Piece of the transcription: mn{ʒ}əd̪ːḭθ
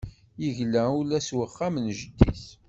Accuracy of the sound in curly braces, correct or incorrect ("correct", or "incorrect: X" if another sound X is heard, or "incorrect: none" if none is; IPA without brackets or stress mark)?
correct